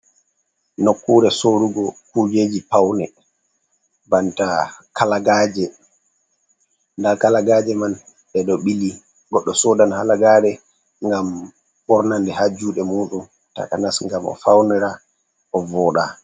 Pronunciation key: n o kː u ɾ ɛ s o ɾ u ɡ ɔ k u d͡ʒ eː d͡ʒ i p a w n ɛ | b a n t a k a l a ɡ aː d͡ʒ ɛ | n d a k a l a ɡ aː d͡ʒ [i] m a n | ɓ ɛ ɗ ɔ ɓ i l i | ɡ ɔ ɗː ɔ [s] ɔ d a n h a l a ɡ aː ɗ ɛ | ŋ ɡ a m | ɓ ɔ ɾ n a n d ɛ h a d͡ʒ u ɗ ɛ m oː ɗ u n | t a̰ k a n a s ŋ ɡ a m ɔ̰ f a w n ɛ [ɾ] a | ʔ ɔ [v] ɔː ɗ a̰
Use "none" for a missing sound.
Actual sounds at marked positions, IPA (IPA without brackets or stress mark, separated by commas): ɛ, s, ɾ, v